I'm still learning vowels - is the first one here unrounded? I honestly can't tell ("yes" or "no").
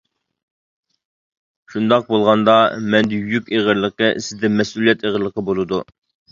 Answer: no